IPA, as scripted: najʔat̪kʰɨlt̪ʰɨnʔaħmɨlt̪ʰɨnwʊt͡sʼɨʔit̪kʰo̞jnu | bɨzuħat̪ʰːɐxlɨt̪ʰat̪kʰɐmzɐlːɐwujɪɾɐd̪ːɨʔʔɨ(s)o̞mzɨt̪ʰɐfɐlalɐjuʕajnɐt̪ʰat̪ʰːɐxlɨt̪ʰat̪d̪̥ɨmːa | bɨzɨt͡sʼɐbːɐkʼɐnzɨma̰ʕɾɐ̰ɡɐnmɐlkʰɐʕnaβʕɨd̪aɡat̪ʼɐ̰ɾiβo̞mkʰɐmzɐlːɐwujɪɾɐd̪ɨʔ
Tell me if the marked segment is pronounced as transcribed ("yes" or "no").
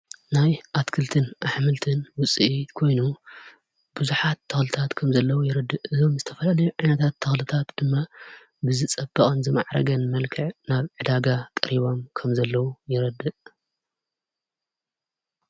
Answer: no